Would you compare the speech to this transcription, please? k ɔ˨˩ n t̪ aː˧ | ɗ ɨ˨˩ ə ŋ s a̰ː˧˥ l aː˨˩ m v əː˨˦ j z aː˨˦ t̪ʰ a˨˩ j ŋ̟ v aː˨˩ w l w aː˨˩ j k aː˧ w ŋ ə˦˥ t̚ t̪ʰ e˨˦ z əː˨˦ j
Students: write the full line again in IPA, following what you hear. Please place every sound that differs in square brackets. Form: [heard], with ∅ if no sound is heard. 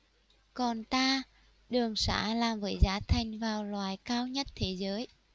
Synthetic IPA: k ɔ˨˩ n t̪ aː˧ | ɗ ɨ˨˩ ə ŋ s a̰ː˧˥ l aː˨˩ m v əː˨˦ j z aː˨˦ t̪ʰ a˨˩ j ŋ̟ v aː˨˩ w l w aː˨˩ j k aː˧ w [ɲ] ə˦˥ t̚ t̪ʰ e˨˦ z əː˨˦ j